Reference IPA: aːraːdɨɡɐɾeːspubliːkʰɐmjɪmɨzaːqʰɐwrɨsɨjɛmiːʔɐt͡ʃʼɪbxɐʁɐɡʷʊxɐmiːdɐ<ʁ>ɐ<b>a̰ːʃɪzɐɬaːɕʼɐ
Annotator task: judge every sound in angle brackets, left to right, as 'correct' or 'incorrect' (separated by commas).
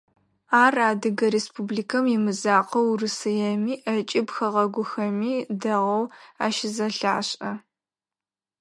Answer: correct, incorrect